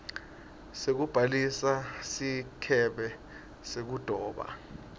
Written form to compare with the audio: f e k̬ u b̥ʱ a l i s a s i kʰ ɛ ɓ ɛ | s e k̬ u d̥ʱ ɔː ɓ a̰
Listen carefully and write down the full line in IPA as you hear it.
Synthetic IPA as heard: s e k̬ u b̥ʱ a l i s a s i kʰ ɛ ɓ ɛ | s e k̬ u d̥ʱ ɔː ɓ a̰